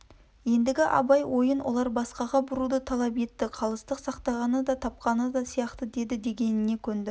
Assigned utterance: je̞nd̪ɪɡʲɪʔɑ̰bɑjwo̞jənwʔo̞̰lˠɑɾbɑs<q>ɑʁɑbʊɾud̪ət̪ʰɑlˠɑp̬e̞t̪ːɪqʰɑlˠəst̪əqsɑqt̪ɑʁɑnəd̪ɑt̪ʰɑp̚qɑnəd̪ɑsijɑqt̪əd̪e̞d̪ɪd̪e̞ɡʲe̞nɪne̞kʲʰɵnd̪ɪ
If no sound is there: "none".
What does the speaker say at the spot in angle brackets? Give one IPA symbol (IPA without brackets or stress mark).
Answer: q